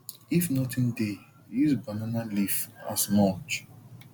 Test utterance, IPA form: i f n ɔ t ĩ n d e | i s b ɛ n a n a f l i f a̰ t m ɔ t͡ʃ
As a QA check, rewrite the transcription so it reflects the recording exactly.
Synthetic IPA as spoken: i f n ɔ t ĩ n d e | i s b a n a n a l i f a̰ s m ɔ t͡ʃ

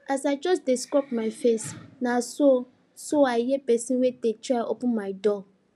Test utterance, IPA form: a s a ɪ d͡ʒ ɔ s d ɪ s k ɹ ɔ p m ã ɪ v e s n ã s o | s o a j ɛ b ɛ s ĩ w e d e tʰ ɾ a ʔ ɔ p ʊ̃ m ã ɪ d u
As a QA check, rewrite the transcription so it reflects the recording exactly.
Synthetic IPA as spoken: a s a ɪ d͡ʒ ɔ s d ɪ s k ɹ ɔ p m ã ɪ f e s n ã s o | s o a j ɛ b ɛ s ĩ w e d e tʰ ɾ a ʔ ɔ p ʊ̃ m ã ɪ d ɔ

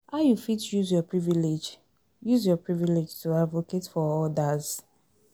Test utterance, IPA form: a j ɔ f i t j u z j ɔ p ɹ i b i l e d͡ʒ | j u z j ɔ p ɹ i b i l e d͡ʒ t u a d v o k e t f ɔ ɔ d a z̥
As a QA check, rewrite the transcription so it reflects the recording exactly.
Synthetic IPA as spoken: a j u f i t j u z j ɔ p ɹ i v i l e d͡ʒ | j u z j ɔ p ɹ i v i l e d͡ʒ t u a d v o k e t f ɔ ɔ d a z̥

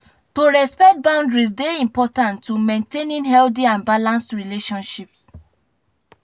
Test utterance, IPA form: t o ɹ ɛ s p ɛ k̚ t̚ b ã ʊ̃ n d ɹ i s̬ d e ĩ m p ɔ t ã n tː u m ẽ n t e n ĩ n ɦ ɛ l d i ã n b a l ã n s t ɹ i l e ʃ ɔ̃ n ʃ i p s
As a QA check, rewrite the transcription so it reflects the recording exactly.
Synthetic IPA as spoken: t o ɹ ɛ s p ɛ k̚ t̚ b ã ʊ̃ n d ɹ i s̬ d e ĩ m p ɔ t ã n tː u m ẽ n t e n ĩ n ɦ ɛ l d i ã n b a l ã n s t ɹ i l e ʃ ɔ̃ n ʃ i p s

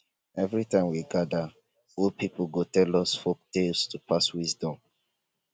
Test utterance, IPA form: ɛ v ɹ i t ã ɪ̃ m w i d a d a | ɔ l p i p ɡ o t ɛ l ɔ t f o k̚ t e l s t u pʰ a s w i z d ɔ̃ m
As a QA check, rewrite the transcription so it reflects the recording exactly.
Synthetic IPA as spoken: ɛ v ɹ i t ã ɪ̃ m w i ɡ a d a | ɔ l p i p ɡ o t ɛ l ɔ s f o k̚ t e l s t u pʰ a s w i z d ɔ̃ m

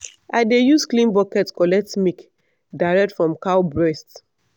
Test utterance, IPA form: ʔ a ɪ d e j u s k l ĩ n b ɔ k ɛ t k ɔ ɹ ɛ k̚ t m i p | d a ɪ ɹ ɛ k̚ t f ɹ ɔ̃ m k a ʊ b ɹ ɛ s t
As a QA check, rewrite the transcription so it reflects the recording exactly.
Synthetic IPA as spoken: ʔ a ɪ d e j u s k l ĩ n b ɔ k ɛ t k ɔ l ɛ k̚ t m i k | d a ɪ ɹ ɛ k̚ t f ɹ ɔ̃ m k a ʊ b ɹ ɛ s t

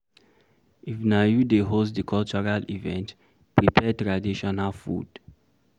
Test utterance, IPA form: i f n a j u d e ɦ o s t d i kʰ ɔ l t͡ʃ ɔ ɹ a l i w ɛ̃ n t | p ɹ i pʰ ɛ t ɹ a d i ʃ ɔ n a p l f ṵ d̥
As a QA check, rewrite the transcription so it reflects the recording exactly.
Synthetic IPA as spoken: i f n a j u d e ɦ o s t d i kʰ ɔ l t͡ʃ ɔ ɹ a l i v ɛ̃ n t | p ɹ i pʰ ɛ t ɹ a d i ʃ ɔ n a l f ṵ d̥

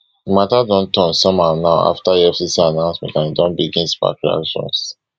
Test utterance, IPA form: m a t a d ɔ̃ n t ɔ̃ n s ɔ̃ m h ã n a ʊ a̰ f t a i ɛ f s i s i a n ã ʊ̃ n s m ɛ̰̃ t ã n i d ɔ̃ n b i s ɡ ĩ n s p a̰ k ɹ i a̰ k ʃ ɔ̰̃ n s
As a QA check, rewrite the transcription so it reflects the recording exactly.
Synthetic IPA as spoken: m a t a d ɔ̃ n t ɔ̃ n s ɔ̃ m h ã n a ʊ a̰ f t a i ɛ f s i s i a n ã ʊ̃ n s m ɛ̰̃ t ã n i d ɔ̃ n b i ɡ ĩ n s p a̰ k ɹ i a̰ k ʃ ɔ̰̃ n s

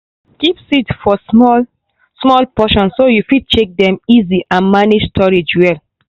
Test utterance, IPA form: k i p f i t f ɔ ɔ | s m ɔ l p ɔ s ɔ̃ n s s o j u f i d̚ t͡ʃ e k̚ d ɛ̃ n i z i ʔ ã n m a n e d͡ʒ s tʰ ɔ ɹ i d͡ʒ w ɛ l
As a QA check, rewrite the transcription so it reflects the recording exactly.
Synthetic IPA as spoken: k i p s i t f ɔ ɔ | s m ɔ l p ɔ ʃ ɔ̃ n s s o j u f i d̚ t͡ʃ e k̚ d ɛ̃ m i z i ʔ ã n m a n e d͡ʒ s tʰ ɔ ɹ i d͡ʒ w ɛ l

